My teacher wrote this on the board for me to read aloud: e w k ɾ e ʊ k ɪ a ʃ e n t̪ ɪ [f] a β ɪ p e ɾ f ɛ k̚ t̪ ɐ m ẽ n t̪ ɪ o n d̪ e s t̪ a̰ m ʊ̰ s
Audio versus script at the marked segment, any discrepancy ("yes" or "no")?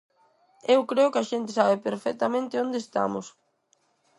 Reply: yes